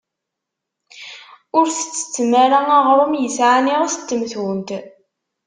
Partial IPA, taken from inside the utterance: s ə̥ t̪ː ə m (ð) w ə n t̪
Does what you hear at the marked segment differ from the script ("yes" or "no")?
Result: yes